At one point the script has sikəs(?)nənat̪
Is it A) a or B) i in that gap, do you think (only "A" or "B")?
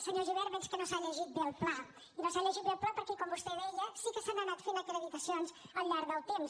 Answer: A